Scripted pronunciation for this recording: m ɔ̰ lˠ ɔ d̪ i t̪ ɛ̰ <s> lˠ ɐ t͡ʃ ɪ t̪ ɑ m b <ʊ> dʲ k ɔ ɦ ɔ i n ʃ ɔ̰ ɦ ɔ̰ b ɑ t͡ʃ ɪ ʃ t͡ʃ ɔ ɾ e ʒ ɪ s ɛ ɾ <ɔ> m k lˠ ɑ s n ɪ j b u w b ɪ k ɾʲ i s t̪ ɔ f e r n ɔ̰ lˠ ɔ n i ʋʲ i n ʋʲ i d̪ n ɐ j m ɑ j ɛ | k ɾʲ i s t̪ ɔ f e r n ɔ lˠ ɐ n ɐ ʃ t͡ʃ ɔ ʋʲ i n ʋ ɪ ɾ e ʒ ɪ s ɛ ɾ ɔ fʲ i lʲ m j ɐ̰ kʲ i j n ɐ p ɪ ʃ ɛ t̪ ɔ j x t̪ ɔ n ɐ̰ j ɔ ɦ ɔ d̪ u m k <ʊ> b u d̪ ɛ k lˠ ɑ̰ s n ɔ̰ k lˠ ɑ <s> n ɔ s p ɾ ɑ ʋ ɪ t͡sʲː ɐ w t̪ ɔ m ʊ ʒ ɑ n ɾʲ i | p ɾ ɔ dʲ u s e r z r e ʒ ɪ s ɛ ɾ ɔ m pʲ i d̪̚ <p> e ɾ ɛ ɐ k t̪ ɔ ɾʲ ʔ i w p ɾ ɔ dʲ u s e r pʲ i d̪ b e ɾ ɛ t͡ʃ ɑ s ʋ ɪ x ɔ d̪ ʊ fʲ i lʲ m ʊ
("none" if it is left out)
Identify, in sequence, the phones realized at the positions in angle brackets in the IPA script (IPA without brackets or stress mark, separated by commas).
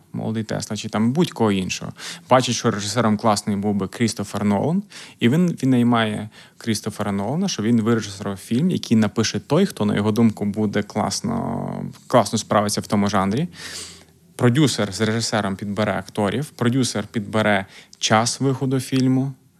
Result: s, u, ɔ, ʊ, s, b